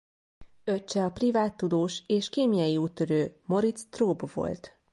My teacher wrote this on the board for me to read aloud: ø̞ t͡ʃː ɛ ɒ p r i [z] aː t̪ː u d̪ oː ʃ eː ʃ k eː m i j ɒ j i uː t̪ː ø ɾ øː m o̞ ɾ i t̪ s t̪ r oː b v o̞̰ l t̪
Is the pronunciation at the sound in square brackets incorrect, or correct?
incorrect